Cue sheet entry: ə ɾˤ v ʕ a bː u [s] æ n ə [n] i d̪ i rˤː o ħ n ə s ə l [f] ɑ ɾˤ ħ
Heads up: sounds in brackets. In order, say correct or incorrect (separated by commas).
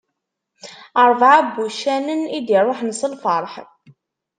incorrect, correct, correct